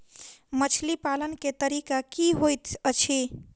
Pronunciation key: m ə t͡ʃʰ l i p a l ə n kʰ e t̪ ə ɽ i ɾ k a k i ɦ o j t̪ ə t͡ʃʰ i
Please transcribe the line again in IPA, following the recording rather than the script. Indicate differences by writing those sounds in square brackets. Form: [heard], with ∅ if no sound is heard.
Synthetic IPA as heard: m ə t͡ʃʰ l i p a l ə n [k] e t̪ ə [ɾ] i [∅] k a k i ɦ o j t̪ ə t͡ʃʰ i